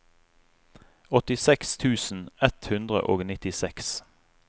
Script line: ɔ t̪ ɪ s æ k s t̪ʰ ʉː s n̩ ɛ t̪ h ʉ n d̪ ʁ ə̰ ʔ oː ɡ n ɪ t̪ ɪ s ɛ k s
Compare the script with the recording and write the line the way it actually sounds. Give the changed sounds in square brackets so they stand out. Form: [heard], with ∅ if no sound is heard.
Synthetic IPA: ɔ t̪ ɪ s [ɛ] k s t̪ʰ ʉː s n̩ ɛ t̪ h ʉ n d̪ ʁ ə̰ ʔ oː ɡ n ɪ t̪ ɪ s ɛ k s

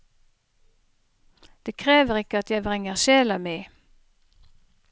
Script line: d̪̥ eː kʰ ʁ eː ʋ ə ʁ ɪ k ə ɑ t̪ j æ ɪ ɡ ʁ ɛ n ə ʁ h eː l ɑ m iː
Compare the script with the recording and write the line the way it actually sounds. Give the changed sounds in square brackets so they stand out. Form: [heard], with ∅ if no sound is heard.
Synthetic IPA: d̪̥ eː kʰ ʁ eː ʋ ə ʁ ɪ k ə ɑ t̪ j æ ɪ [b] ʁ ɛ [ŋ] ə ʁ [ʃ] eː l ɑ m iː

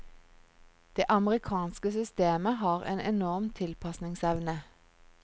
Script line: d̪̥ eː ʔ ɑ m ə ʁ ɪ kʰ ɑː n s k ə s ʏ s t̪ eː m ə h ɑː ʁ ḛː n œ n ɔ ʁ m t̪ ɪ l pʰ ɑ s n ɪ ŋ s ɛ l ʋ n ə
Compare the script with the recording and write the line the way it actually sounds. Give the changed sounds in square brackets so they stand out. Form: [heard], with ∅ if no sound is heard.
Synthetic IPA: d̪̥ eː ʔ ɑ m ə ʁ ɪ kʰ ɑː n s k ə s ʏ s t̪ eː m ə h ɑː ʁ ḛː n [ɛ] n ɔ ʁ m [t̪ʰ] ɪ l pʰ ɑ s n ɪ ŋ s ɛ [∅] ʋ n ə

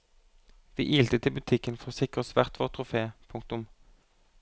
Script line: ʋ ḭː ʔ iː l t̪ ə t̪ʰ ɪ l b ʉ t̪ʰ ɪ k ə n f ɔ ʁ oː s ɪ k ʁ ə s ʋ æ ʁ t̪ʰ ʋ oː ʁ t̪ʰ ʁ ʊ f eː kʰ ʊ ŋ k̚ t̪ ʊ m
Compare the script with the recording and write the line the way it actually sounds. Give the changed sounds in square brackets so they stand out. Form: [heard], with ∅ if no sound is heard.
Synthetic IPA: ʋ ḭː ʔ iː l t̪ ə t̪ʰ ɪ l b ʉ t̪ʰ ɪ k ə n f ɔ ʁ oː s ɪ k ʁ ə s ʋ æ ʁ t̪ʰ ʋ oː ʁ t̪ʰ ʁ ʊ f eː [pʰ] ʊ ŋ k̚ t̪ ʊ m

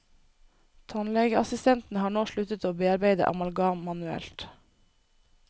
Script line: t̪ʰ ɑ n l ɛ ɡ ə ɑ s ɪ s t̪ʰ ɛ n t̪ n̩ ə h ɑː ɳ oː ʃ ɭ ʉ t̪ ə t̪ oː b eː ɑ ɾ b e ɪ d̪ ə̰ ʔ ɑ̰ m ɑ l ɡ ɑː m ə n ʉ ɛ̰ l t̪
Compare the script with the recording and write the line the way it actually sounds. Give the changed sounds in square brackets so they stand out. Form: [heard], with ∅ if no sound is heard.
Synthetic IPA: t̪ʰ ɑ n l ɛ ɡ ə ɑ s ɪ s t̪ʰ ɛ n t̪ n̩ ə h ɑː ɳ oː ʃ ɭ ʉ t̪ ə t̪ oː b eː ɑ ɾ b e ɪ d̪ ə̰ ʔ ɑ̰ m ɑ l ɡ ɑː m [ɑ] n ʉ ɛ̰ l t̪

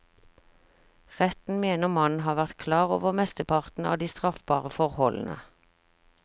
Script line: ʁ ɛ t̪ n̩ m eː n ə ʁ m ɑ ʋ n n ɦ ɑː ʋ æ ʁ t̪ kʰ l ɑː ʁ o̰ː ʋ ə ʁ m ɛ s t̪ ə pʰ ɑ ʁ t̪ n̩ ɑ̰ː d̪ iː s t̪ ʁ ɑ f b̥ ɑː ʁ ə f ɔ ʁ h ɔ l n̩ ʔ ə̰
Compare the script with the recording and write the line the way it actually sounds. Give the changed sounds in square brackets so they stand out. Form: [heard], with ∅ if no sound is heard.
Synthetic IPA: ʁ ɛ t̪ n̩ m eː n ə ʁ m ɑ [∅] n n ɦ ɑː ʋ æ ʁ t̪ kʰ l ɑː ʁ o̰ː ʋ ə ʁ m ɛ s t̪ ə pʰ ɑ ʁ t̪ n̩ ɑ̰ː d̪ iː s t̪ ʁ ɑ f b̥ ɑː ʁ ə f ɔ ʁ h ɔ l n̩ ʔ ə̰

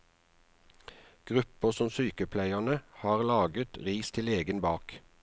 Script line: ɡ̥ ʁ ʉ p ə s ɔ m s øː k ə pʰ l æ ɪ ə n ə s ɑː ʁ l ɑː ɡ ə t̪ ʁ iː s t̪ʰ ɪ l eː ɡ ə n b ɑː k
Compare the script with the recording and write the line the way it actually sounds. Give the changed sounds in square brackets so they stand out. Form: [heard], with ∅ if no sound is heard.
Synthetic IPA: ɡ̥ ʁ ʉ p ə s ɔ m s [yː] k ə pʰ l æ ɪ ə n ə [h] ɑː ʁ l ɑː ɡ ə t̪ ʁ iː s t̪ʰ ɪ l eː ɡ ə n b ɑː k

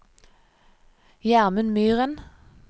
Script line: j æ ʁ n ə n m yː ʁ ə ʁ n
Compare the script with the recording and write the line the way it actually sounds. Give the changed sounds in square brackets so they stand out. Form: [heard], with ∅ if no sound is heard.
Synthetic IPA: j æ ʁ [m] ə n m yː ʁ ə [∅] n

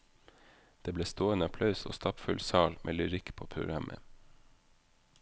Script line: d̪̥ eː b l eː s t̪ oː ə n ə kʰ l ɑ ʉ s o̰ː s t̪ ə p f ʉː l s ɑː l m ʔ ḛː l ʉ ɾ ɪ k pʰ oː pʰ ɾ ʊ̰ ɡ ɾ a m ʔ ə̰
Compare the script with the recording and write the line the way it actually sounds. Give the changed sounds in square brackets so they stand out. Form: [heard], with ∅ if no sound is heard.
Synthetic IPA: d̪̥ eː b l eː s t̪ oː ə n ə [pʰ] l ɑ ʉ s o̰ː s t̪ [ɑ] p f [ʉ] l s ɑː l m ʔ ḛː l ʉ ɾ ɪ k pʰ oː pʰ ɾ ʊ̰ ɡ ɾ [ɑ] m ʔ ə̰

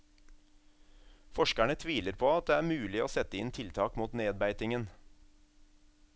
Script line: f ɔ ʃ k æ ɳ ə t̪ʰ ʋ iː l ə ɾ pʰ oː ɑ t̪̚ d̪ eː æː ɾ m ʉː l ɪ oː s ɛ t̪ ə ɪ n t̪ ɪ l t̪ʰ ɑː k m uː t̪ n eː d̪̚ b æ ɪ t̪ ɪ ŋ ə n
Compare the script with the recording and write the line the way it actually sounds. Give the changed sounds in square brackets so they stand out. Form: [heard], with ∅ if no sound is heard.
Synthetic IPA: f ɔ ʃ k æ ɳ ə t̪ʰ ʋ iː l ə ɾ pʰ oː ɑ t̪̚ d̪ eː æː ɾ m ʉː l ɪ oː s ɛ t̪ ə ɪ n [t̪ʰ] ɪ l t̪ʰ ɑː k m uː t̪ n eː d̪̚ b æ ɪ t̪ ɪ ŋ ə n

